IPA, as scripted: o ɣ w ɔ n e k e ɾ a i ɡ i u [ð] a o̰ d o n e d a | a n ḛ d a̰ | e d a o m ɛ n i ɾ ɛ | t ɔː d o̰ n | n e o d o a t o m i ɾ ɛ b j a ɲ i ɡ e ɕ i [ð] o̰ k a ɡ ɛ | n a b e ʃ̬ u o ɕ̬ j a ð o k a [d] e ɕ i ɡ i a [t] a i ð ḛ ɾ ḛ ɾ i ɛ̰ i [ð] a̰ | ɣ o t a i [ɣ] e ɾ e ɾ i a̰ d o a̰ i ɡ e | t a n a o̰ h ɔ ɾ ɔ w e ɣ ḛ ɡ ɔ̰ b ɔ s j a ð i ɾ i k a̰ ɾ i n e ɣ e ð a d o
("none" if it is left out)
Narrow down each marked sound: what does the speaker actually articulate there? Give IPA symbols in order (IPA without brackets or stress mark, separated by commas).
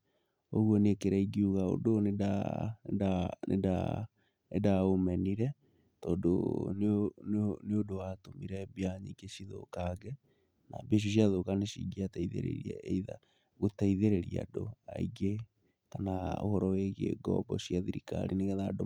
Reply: ɣ, ð, n, t, ð, ð